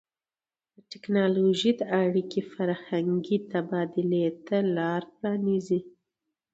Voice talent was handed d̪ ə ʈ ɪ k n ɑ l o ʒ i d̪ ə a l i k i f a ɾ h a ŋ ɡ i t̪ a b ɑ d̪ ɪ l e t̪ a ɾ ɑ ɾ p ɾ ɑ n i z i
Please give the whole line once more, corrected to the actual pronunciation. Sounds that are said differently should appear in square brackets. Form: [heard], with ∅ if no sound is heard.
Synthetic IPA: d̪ ə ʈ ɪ k n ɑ l o ʒ i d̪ ə a [ɽ] i k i f a ɾ h a ŋ ɡ i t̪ a b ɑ d̪ ɪ l e t̪ a [l] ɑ ɾ p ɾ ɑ n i z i